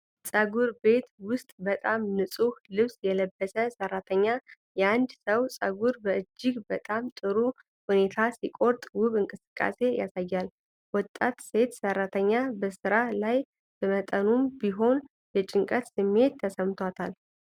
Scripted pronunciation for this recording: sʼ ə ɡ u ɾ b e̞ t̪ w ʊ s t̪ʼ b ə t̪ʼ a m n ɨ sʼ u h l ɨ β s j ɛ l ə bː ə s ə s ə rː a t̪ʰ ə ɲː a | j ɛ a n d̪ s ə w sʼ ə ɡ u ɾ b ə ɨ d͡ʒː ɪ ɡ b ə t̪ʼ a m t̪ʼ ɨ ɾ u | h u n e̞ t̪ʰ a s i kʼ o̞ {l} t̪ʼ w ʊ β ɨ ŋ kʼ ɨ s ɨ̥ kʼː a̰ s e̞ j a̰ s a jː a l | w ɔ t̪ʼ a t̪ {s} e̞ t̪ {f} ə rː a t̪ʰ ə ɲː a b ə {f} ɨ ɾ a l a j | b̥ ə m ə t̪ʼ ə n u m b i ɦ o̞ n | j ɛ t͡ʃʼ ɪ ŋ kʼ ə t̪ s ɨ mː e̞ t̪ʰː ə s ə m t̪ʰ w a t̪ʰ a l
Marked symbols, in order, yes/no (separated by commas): no, yes, no, no